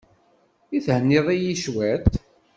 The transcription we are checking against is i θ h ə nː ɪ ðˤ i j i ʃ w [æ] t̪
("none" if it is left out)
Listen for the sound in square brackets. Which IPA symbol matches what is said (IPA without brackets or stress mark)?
æ